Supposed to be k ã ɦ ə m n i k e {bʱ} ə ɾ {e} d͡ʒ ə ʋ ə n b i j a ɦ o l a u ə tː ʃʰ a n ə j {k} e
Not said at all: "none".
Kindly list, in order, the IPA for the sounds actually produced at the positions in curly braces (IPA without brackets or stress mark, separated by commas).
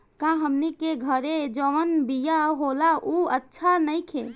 ɡʱ, e, kʰ